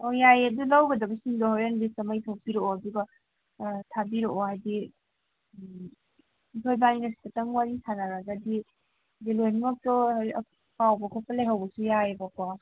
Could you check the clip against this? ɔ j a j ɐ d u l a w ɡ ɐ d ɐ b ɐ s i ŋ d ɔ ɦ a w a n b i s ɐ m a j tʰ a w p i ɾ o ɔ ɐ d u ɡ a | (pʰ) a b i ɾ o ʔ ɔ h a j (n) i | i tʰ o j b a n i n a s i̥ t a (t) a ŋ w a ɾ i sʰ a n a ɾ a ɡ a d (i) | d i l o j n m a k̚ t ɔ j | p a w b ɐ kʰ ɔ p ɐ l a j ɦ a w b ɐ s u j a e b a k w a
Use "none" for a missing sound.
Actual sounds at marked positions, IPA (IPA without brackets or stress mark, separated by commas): tʰ, d, t, i